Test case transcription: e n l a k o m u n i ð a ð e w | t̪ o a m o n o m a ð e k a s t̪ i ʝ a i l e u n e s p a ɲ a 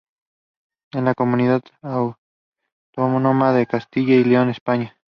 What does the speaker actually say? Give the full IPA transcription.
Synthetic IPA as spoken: e n l a k o m u n i ð a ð a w | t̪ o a m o n o m a ð e k a s t̪ i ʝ a i l e o n e s p a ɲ a